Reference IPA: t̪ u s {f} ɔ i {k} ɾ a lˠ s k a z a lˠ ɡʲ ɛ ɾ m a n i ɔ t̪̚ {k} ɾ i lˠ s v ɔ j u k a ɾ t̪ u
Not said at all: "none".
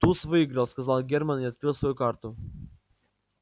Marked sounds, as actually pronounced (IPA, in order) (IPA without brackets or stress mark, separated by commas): v, ɡ, k